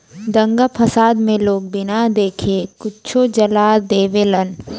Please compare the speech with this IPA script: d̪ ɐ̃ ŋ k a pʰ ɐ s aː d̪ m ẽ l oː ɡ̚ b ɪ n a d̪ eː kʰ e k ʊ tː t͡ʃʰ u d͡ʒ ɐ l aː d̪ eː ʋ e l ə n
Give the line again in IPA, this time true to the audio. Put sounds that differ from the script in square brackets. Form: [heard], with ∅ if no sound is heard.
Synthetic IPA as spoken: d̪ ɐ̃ ŋ [ɡ] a pʰ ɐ s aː d̪ m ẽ l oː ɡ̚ b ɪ n a d̪ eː kʰ e k ʊ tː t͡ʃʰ [o] d͡ʒ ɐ l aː d̪ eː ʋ e l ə n